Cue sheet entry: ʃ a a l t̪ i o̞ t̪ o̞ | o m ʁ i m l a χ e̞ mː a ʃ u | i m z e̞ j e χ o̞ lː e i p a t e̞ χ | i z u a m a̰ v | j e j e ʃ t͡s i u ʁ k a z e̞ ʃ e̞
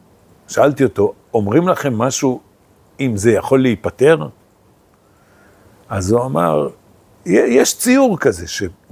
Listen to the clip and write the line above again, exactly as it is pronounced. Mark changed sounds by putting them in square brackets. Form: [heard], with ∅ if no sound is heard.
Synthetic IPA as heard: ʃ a a l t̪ i o̞ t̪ o̞ | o m ʁ i m l a χ e̞ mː a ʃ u | i m z e̞ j [a] χ o̞ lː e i p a t e̞ [ʁ] | [a] z u a m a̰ [ʁ] | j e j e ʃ t͡s i u ʁ k a z e̞ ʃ e̞